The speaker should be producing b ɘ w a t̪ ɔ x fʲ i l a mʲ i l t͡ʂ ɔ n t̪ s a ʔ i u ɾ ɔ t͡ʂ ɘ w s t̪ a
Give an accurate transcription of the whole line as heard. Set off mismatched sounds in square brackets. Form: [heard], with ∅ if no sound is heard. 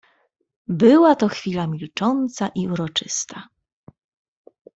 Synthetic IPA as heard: b ɘ w a t̪ ɔ x fʲ i l a mʲ i l t͡ʂ ɔ n t̪ s a ʔ i u ɾ ɔ t͡ʂ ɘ [∅] s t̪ a